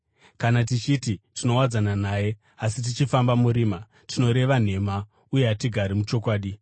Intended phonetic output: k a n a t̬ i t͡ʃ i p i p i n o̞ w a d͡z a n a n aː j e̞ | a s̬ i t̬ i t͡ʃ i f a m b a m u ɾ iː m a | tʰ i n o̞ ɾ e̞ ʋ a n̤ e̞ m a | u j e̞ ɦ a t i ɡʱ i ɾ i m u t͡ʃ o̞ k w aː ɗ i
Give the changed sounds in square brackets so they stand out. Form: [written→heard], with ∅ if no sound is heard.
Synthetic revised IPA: k a n a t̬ i t͡ʃ i [p→t] i [p→t] i n o̞ w a d͡z a n a n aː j e̞ | a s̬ i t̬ i t͡ʃ i f a m b a m u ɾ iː m a | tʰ i n o̞ ɾ e̞ ʋ a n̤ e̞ m a | u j e̞ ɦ a t i ɡʱ [i→a] ɾ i m u t͡ʃ o̞ k w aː ɗ i